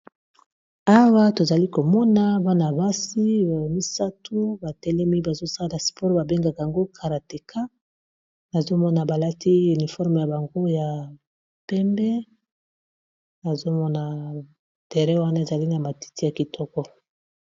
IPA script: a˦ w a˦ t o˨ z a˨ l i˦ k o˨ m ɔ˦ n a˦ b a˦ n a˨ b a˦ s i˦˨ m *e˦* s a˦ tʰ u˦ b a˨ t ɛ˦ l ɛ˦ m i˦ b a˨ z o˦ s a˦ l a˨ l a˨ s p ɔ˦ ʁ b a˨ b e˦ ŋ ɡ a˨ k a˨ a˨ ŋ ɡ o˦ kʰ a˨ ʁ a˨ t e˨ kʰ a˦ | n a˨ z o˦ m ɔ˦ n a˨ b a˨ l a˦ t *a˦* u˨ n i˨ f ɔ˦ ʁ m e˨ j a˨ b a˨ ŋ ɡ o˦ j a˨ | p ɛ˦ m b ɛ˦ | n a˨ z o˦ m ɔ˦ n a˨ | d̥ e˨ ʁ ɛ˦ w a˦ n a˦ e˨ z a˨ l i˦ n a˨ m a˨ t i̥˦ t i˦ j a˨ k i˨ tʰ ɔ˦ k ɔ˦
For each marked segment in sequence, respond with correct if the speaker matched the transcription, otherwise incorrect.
incorrect, incorrect

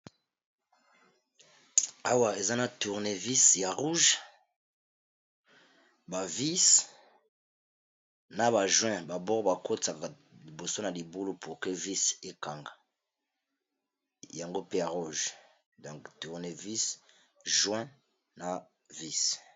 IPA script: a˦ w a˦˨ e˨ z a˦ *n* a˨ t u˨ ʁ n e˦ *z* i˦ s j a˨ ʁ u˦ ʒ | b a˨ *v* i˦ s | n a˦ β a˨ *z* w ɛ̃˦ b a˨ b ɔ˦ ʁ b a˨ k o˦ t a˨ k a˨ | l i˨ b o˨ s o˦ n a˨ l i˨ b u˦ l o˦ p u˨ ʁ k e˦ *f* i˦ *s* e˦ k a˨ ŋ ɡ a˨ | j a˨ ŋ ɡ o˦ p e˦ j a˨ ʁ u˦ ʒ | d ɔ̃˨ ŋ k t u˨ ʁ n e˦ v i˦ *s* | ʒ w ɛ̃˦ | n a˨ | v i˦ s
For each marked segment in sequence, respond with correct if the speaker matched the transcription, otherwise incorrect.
correct, incorrect, correct, incorrect, incorrect, correct, correct

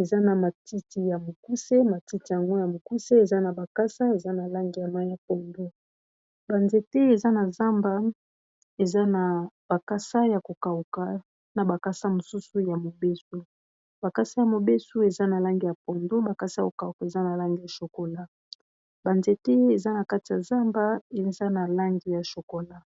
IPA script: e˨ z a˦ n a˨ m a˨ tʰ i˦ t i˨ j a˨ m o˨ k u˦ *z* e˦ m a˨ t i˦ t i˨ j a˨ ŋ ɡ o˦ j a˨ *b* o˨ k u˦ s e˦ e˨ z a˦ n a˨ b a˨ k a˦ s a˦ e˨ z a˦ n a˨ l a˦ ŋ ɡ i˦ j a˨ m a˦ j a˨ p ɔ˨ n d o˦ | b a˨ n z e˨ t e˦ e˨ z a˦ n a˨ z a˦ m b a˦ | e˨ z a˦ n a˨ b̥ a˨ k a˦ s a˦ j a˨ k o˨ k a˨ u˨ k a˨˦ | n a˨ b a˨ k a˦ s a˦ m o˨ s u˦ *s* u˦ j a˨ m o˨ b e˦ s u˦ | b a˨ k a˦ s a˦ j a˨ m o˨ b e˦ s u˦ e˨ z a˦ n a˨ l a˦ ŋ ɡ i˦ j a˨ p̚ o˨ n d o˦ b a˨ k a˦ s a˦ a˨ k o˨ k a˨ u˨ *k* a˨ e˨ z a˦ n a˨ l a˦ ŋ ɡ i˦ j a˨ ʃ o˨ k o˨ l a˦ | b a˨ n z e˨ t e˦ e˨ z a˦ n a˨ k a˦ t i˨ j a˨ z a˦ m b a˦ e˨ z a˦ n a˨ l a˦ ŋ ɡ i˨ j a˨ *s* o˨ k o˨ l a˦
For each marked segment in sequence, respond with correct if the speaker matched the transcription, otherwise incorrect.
incorrect, incorrect, correct, correct, incorrect

